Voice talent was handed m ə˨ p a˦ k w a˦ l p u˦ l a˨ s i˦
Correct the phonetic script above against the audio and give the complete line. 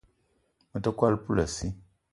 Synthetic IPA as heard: m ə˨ t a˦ k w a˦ l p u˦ l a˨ s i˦

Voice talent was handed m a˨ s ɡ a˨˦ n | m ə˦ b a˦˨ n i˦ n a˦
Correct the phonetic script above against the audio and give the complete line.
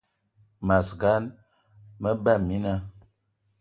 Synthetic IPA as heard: m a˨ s ɡ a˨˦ n | m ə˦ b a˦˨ m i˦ n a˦

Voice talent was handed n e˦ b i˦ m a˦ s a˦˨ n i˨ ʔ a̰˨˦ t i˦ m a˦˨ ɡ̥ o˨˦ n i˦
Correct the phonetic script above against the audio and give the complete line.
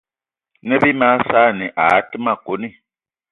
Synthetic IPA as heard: n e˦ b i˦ m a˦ s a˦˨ n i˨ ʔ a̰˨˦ t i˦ m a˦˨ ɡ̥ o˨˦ n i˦

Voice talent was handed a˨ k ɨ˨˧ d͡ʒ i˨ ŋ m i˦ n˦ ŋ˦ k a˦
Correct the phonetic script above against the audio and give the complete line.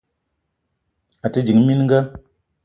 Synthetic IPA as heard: a˨ t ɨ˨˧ d͡ʒ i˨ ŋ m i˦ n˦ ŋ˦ ɡ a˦

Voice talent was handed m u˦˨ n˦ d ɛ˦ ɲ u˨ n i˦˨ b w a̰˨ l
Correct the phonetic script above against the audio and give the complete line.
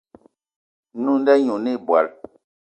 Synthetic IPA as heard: n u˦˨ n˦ d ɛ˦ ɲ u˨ n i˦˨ b w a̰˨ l

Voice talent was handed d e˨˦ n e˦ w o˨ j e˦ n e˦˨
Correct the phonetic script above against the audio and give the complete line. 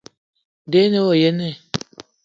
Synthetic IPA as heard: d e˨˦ n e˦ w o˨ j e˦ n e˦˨

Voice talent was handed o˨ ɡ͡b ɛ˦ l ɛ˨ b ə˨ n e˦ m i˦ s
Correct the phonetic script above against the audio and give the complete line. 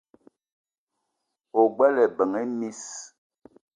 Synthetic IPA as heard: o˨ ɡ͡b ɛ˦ l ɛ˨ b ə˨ ŋ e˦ m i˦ s

